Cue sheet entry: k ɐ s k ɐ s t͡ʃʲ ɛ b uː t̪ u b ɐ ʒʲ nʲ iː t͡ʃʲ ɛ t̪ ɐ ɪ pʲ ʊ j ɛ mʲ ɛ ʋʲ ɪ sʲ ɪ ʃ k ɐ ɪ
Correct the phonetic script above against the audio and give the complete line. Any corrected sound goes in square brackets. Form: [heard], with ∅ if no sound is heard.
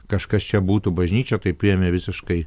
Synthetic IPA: k ɐ [ʃ] k ɐ s t͡ʃʲ ɛ b uː t̪ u b ɐ ʒʲ nʲ iː t͡ʃʲ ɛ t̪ ɐ ɪ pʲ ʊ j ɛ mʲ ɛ ʋʲ ɪ sʲ ɪ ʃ k ɐ ɪ